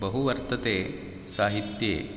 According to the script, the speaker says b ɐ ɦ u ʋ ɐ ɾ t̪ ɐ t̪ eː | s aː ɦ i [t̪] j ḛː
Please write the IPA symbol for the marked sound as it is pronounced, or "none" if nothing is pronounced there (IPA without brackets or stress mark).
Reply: t̪